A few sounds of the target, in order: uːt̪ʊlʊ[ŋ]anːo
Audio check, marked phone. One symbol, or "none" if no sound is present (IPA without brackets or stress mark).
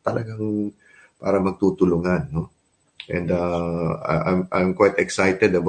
ŋ